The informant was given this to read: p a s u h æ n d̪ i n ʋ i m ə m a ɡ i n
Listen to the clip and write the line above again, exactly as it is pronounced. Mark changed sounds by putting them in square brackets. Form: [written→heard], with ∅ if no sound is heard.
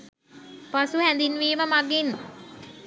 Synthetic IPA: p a s u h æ n d̪ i n ʋ [i→iː] m ə m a ɡ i n